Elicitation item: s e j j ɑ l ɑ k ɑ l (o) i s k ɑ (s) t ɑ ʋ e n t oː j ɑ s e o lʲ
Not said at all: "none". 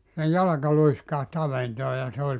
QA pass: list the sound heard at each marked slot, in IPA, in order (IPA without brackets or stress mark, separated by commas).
u, h